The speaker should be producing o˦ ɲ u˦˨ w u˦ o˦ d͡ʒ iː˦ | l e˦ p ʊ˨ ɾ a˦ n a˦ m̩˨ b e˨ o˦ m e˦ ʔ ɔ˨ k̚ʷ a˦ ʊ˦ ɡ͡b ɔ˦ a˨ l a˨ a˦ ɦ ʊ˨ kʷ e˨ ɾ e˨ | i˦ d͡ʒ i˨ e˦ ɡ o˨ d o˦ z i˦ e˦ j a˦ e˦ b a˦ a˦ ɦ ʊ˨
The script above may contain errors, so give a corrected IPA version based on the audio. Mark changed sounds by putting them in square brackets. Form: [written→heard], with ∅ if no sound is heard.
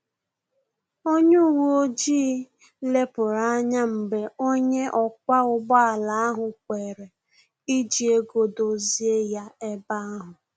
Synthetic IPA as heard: o˦ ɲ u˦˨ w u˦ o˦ d͡ʒ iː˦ | l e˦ p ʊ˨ ɾ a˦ [n→ɲ] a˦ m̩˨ b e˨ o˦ [m→ɲ] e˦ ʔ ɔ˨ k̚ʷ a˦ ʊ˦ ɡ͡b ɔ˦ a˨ l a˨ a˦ ɦ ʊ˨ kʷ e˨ ɾ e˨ | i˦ d͡ʒ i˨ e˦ ɡ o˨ d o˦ z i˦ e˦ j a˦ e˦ b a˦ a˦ ɦ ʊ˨